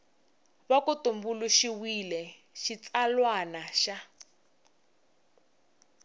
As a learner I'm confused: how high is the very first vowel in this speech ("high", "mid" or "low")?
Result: low